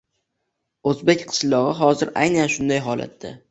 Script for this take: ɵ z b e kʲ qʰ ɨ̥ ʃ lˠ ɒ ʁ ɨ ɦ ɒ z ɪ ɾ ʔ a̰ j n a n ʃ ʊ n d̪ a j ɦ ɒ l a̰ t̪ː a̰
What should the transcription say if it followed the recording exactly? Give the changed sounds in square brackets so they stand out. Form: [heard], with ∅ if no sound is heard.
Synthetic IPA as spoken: ɵ z b e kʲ qʰ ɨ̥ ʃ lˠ ɒ ʁ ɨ ɦ ɒ z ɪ ɾ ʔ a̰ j n a n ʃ ʊ n d̪ a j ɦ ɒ l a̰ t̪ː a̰